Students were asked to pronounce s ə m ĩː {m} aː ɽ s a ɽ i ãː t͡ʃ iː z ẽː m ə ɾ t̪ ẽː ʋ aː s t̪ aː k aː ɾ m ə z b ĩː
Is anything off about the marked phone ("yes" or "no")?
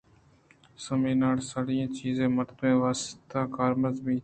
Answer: yes